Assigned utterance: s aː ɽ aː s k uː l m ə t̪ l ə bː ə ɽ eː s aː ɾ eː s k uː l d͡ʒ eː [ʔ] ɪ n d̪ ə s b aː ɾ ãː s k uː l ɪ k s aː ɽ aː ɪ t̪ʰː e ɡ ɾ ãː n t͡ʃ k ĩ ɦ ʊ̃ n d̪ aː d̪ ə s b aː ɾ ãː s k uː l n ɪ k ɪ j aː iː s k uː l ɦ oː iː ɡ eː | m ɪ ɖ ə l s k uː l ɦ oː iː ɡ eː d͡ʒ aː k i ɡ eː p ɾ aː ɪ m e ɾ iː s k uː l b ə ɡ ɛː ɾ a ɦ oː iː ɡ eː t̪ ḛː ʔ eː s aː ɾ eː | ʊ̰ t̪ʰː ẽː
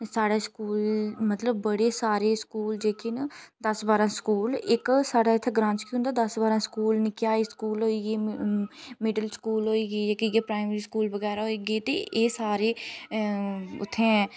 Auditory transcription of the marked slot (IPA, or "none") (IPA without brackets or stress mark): k